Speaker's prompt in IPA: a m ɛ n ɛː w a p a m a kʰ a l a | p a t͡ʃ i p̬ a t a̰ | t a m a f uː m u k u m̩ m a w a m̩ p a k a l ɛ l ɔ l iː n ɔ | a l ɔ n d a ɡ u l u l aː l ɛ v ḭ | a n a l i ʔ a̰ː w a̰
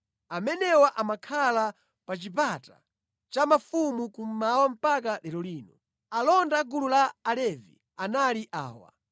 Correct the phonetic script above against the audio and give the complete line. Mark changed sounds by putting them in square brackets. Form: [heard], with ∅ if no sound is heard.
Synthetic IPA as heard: a m ɛ n [ɛ] w a [ʔ] a m a kʰ a l a | p a t͡ʃ i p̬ a t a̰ | [t͡ʃ] a m a f [u] m u k u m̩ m a w a m̩ p a k a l ɛ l ɔ l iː n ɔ | a l ɔ n d a ɡ u l u l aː l ɛ v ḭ | a n a l i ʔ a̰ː w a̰